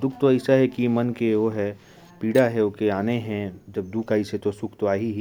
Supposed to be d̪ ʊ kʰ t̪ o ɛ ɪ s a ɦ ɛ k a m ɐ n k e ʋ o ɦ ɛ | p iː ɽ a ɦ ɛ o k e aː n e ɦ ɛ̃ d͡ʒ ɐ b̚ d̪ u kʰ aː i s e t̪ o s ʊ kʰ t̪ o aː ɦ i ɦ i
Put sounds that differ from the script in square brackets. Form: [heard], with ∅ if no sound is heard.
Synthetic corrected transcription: d̪ ʊ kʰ t̪ o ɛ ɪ s a ɦ ɛ k [i] m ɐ n k e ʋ o ɦ ɛ | p iː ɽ a ɦ ɛ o k e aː n e ɦ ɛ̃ d͡ʒ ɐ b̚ d̪ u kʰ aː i s e t̪ o s ʊ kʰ t̪ o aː ɦ i ɦ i